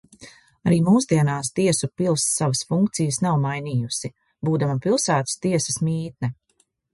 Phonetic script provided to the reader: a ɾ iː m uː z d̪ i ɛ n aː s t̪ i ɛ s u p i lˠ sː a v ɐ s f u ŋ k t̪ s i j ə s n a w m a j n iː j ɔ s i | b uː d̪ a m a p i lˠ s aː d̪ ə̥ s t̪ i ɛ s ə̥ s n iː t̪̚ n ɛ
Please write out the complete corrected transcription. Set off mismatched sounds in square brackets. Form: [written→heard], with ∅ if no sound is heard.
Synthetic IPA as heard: a ɾ iː m uː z d̪ i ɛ n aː s t̪ i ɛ s u p i lˠ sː a v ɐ s f u ŋ k t̪ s i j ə s n a w m a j n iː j [ɔ→u] s i | b uː d̪ a m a p i lˠ s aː [d̪→t̪] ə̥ s t̪ i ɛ s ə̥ s [n→m] iː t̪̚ n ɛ